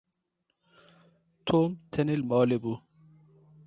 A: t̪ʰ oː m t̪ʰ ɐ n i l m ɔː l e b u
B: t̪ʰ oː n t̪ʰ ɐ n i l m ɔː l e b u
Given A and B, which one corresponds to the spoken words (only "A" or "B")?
A